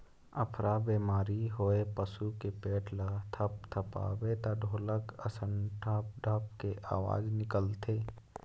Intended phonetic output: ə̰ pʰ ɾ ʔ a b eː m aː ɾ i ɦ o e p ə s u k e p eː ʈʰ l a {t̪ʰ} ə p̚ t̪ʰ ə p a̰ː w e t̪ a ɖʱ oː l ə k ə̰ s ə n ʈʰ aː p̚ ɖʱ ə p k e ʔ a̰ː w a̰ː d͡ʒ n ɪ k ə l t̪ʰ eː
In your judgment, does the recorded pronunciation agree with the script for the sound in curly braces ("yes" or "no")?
yes